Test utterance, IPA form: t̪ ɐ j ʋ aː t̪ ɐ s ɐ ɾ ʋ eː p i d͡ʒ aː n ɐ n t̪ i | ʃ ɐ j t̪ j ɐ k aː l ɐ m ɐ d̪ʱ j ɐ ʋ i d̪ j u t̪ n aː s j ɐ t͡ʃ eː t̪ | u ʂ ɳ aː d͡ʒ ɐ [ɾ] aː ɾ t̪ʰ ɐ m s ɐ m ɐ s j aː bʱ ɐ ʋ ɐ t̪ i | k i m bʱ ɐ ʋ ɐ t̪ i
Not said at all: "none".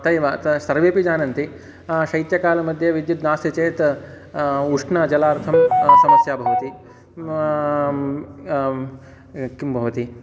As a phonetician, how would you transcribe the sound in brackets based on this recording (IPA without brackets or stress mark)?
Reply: l